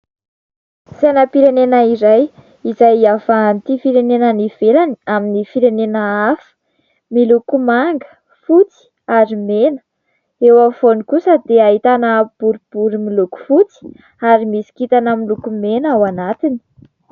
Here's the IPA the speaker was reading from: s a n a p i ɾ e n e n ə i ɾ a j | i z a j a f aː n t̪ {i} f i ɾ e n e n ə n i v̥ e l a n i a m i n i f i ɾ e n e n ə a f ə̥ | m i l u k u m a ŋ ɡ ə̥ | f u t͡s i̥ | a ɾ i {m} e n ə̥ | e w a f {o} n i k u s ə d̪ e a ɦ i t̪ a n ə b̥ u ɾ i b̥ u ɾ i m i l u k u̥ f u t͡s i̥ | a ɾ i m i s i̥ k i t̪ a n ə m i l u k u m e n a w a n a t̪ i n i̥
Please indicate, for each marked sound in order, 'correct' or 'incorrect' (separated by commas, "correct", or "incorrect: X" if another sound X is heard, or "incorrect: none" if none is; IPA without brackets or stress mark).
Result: correct, correct, correct